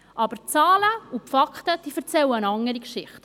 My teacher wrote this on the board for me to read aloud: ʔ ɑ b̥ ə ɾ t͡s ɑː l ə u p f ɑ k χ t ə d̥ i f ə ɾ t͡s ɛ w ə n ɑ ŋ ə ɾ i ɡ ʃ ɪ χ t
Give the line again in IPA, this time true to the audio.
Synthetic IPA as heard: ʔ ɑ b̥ ə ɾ t͡s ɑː l ə u p f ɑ k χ t ə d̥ i f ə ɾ t͡s ɛ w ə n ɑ ŋ ə ɾ i k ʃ ɪ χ t